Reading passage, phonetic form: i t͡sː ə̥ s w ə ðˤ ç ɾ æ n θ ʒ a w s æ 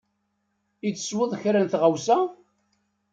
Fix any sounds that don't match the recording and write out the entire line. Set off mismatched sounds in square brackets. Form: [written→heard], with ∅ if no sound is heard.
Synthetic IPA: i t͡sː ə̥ s w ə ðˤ ç ɾ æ n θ [ʒ→ʁ] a w s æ